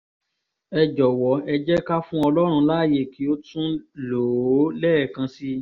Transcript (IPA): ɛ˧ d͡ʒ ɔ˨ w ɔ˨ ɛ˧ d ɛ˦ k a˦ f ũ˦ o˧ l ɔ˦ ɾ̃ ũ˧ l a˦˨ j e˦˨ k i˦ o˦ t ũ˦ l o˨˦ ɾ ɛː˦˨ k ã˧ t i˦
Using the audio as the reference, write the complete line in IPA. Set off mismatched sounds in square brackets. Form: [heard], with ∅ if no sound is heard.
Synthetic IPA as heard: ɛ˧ d͡ʒ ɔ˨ w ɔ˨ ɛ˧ [d͡ʒ] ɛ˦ k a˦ f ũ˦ [ɔ˧] l ɔ˦ ɾ̃ ũ˧ l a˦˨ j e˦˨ k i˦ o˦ t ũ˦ l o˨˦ [l] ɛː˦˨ k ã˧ [s] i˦

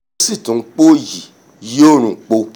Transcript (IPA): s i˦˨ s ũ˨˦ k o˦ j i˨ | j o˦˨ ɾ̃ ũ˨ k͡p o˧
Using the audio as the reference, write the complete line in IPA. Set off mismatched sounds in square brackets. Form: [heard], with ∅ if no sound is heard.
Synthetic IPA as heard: s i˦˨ [t] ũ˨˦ [k͡p] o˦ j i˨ | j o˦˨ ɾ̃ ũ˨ k͡p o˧

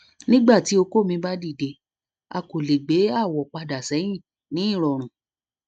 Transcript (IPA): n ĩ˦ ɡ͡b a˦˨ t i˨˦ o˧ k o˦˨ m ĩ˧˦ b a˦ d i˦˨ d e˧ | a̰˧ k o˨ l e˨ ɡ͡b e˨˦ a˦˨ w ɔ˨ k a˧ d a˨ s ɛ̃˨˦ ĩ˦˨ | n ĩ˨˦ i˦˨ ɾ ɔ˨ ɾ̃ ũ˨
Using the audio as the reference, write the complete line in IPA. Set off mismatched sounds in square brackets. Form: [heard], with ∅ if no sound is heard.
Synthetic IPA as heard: n ĩ˦ ɡ͡b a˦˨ t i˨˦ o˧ k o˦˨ m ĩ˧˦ b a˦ d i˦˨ d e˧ | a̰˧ k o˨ l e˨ ɡ͡b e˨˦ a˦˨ w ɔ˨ [k͡p] a˧ d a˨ s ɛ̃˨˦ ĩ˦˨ | n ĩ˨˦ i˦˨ ɾ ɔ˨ ɾ̃ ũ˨

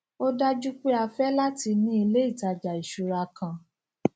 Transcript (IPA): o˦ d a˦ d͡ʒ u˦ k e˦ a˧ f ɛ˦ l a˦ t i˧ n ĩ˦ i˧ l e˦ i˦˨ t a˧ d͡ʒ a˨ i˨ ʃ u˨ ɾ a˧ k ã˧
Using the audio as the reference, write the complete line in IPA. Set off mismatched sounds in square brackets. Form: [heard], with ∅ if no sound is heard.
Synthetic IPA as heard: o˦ d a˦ d͡ʒ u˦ [k͡p] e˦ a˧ f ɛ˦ l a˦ t i˧ n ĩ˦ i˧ l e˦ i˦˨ t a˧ d͡ʒ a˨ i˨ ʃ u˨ ɾ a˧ k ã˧

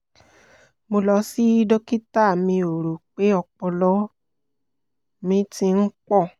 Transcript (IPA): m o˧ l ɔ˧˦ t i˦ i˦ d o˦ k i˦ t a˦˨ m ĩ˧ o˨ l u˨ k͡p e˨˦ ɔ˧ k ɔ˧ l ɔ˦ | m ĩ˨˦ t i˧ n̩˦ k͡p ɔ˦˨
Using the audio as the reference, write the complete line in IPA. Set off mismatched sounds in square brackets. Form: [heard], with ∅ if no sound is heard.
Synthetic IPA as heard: m o˧ l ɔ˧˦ [s] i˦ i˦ d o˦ k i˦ t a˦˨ m ĩ˧ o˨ [ɾ] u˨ k͡p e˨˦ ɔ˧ [k͡p] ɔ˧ l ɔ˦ | m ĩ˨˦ t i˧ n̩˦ k͡p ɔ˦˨

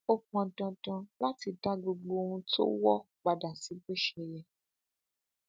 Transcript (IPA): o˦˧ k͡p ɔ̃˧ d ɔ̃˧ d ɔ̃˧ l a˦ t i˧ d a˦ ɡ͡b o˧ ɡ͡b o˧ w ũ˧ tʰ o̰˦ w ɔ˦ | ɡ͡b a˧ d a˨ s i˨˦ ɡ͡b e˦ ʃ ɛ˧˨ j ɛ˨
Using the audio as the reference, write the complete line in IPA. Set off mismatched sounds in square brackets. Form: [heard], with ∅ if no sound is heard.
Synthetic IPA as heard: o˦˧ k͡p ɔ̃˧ d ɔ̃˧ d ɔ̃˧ l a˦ t i˧ d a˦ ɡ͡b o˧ ɡ͡b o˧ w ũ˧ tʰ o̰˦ w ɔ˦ | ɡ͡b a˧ d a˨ s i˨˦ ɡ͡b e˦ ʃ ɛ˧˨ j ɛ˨

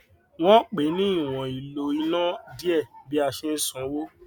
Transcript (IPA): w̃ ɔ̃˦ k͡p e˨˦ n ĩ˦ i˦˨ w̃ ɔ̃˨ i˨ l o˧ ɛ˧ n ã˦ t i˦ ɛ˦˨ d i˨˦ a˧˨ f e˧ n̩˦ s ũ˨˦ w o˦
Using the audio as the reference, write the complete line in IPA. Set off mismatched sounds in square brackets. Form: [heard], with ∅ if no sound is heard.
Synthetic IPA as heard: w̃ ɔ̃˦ k͡p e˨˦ n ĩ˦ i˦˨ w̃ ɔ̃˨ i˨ l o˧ [i˧] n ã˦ [d] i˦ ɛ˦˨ [b] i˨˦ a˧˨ [ʃ] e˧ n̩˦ s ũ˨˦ w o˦

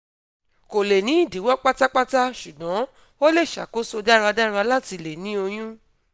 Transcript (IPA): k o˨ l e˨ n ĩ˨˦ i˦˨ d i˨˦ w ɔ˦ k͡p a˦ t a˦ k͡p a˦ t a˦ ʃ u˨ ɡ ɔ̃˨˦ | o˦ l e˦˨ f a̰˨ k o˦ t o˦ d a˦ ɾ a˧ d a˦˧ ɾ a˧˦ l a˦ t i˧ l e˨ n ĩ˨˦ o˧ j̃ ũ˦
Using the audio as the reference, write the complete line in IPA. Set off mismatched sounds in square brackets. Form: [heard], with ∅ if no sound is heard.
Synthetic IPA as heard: k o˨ l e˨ n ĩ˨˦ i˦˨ d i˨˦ w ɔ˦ k͡p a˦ t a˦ k͡p a˦ t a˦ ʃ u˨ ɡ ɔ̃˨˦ | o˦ l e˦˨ [ʃ] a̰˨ k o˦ [s] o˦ d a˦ ɾ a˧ d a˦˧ ɾ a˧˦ l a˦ t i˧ l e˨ n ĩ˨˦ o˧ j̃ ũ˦

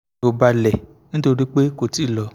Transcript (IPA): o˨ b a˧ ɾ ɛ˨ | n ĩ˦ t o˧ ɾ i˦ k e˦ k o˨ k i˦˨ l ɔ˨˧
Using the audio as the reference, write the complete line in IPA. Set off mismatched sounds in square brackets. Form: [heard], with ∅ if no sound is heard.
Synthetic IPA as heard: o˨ b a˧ [l] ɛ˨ | n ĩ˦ t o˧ ɾ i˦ [k͡p] e˦ k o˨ [t] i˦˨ l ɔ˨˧

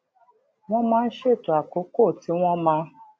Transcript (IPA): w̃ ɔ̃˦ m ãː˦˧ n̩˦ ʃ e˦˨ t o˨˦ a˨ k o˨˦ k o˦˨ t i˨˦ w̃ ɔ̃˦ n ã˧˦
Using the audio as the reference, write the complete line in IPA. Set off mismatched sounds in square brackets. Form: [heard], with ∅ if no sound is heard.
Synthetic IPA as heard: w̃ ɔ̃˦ m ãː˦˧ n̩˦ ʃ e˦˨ t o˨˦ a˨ k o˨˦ k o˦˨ t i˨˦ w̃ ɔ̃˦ [m] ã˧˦

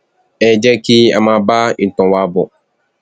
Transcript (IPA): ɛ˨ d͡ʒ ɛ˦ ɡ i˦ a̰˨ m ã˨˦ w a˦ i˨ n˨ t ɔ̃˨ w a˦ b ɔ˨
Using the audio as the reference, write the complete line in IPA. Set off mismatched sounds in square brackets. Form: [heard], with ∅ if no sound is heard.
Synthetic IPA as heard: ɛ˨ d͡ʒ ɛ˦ [k] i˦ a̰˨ m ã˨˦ [b] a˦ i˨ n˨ t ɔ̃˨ w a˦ b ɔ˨

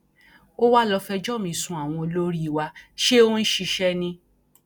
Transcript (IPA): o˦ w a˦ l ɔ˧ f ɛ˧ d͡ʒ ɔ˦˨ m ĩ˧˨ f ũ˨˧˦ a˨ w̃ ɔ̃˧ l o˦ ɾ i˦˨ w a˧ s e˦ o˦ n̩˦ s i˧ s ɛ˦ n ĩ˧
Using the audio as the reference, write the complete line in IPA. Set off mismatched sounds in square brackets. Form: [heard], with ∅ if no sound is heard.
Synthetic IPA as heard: o˦ w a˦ l ɔ˧ f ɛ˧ d͡ʒ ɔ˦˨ m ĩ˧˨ [s] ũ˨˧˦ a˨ w̃ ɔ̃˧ l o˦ ɾ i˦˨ w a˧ [ʃ] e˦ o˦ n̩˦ [ʃ] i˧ [ʃ] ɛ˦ n ĩ˧

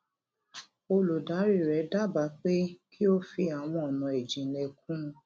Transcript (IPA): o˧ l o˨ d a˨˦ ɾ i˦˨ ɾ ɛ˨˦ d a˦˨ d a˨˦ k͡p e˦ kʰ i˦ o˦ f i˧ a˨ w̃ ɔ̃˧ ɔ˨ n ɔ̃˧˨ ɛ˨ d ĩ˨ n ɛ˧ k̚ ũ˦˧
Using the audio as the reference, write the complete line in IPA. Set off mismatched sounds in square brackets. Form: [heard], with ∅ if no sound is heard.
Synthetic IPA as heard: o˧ l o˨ d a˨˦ ɾ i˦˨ ɾ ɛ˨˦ d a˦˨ [b] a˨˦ k͡p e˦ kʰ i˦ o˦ f i˧ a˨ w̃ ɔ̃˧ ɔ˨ n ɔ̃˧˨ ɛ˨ [d͡ʒ] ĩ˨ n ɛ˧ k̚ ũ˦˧

